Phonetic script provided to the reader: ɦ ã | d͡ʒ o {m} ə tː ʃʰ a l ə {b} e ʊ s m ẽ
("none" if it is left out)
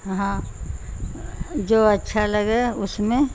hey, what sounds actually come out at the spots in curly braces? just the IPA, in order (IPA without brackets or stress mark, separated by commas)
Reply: none, ɡ